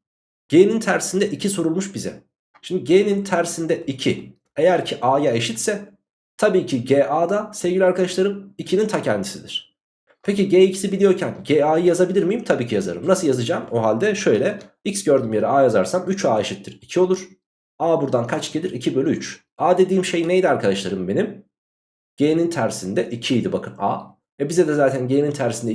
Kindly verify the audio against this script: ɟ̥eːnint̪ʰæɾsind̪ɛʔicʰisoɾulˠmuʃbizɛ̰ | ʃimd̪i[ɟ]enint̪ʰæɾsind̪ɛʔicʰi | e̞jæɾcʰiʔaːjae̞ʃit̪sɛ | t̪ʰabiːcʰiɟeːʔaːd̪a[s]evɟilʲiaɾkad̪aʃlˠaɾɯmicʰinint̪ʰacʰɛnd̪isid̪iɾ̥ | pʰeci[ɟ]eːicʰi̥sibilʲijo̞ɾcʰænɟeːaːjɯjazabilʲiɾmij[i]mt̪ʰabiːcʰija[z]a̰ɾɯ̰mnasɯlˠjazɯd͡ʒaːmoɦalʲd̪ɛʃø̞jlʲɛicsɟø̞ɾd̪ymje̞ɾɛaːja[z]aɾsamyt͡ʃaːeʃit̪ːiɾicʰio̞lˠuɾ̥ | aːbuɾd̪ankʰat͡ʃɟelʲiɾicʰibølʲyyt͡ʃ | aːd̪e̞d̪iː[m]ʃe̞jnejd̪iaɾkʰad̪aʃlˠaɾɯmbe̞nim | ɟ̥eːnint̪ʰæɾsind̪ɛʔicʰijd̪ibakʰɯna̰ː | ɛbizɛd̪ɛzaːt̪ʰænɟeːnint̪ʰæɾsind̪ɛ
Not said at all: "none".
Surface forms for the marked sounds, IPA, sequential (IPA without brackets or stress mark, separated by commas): ɟ, s, ɟ, i, z, z, m